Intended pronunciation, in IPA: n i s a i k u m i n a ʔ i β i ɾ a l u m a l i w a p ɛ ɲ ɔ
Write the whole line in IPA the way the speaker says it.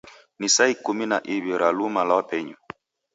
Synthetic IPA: n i s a i k u m i n a ʔ i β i ɾ a l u m a l a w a p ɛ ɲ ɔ